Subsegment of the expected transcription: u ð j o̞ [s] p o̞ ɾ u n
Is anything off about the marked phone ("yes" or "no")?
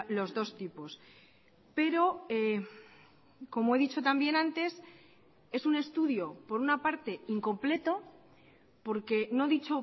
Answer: yes